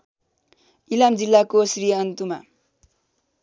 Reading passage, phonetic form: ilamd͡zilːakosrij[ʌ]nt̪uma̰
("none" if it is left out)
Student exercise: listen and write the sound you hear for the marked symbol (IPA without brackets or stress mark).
ʌ